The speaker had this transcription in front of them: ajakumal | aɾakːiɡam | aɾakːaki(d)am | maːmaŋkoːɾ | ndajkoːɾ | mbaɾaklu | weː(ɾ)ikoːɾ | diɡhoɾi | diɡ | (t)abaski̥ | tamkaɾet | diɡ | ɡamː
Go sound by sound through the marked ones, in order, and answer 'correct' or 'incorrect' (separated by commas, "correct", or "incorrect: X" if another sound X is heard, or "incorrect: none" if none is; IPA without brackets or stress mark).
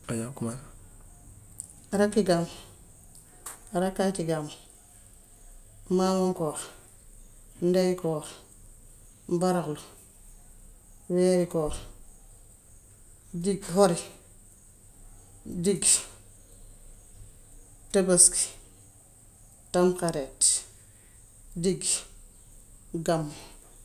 incorrect: ɡ, correct, correct